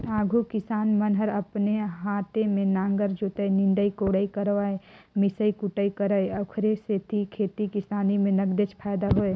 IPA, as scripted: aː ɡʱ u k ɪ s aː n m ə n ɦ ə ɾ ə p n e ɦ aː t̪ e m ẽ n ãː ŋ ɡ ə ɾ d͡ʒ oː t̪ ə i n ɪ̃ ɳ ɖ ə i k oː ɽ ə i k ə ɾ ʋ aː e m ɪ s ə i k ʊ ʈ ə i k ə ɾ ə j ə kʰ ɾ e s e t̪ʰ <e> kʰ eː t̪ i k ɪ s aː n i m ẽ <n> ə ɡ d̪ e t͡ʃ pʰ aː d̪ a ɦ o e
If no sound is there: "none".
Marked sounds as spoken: i, n

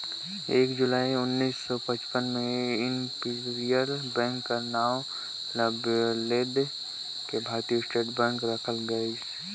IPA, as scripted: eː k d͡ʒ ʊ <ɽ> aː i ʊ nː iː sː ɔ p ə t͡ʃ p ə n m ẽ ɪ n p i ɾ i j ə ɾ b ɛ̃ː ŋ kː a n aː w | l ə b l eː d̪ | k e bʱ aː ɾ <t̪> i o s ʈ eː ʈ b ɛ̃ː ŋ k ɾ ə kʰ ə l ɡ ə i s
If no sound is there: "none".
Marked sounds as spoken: l, t̪

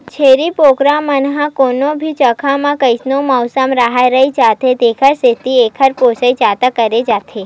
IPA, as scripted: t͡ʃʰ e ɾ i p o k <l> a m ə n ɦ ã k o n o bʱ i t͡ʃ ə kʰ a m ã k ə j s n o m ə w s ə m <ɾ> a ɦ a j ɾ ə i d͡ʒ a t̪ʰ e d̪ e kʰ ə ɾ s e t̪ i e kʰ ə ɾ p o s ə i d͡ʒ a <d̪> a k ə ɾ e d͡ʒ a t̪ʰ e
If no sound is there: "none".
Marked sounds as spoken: ɾ, ɾ, t̪

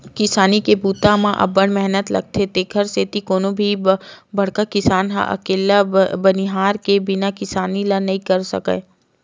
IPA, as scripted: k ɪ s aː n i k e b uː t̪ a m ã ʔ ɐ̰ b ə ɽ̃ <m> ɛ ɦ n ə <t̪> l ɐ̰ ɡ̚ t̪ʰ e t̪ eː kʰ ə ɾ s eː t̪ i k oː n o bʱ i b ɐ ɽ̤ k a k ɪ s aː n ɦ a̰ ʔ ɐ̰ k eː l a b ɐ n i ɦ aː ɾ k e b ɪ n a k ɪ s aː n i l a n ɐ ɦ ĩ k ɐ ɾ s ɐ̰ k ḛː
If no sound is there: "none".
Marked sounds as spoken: m, t̪

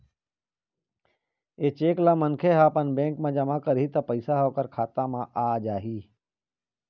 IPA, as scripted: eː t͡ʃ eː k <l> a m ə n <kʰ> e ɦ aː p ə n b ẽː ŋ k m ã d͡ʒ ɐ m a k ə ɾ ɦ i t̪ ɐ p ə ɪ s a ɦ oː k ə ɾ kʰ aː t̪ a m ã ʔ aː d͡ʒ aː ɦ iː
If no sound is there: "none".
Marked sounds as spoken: l, kʰ

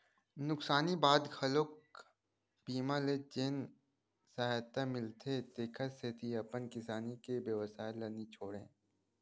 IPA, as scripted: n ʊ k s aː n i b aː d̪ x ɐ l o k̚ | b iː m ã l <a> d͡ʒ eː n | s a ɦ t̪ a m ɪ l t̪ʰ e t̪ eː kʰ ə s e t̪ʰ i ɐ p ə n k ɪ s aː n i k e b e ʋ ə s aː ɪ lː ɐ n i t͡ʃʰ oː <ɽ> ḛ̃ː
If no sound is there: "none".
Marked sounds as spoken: e, ɽ

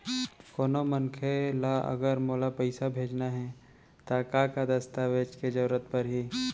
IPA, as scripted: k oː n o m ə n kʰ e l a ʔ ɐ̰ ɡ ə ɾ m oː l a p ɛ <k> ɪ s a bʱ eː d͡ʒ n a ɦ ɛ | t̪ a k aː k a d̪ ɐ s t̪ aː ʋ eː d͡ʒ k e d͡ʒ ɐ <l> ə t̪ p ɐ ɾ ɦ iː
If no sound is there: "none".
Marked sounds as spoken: none, ɾ

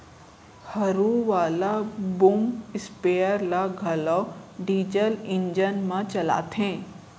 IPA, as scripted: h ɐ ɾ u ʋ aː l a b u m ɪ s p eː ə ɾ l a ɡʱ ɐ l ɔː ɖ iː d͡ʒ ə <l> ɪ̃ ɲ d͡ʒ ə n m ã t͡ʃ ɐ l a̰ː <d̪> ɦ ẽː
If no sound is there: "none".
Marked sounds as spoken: l, t̪

